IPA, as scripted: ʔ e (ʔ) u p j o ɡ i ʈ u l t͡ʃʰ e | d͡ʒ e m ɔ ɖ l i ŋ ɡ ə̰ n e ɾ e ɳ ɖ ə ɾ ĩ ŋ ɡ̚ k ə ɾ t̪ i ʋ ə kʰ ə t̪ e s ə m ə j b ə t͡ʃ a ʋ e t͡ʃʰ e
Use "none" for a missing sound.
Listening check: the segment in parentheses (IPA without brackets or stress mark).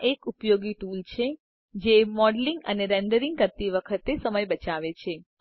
k